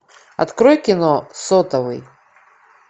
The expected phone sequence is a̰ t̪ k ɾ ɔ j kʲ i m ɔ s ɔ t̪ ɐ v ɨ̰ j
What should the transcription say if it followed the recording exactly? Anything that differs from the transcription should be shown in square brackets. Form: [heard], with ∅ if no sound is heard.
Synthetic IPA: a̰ t̪ k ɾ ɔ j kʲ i [n] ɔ s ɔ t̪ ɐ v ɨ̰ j